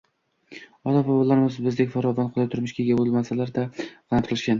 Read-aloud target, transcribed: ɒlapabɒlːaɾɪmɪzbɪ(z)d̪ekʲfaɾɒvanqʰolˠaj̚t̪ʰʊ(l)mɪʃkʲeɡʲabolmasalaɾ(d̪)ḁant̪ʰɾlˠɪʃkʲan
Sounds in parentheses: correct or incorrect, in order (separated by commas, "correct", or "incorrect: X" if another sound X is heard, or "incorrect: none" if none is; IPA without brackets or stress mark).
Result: correct, incorrect: ɾ, correct